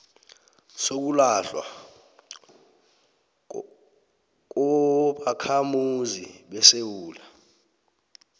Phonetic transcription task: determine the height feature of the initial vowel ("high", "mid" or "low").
mid